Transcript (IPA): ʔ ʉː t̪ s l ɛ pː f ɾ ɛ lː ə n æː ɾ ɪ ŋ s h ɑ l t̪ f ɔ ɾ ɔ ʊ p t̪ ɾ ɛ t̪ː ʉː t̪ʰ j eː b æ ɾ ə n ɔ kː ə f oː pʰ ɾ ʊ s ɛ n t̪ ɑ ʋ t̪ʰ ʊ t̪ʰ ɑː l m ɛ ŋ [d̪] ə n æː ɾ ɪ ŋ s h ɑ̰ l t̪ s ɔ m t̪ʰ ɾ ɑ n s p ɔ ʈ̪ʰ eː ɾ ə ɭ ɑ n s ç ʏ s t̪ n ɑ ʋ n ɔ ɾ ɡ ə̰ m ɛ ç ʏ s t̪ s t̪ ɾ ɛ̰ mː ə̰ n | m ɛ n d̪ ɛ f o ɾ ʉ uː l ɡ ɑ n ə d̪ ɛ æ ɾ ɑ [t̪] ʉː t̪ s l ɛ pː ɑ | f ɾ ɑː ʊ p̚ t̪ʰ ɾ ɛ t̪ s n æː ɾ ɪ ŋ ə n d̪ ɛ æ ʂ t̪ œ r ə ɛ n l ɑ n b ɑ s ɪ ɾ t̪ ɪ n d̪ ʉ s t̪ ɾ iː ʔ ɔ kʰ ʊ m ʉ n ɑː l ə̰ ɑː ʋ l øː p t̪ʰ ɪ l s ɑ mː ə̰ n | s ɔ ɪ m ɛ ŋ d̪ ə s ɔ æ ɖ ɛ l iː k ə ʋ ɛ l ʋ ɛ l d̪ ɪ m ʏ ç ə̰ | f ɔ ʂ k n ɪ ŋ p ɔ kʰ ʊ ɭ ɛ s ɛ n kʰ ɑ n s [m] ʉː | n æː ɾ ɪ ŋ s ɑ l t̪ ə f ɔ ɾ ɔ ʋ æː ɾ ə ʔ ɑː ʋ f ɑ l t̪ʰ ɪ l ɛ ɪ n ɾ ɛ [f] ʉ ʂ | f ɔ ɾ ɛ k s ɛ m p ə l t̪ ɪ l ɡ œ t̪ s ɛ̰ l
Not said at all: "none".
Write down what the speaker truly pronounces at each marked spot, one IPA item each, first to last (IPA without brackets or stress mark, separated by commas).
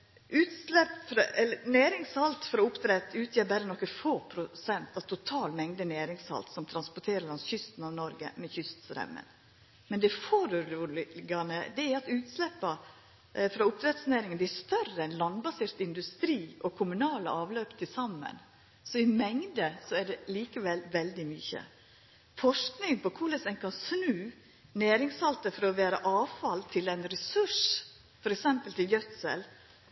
d̪, t̪, n, s